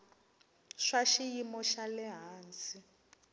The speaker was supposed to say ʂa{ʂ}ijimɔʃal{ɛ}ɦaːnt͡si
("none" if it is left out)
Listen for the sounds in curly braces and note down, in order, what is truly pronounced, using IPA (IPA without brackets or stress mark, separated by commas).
ʃ, ɛ